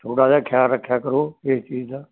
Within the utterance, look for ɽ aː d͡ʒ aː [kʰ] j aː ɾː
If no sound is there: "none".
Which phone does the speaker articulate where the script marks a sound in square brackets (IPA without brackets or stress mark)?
kʰ